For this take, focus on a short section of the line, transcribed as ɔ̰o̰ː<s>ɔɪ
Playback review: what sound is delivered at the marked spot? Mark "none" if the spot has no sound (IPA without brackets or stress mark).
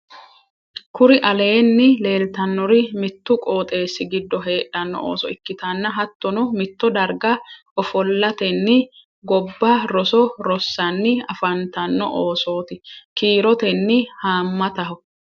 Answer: s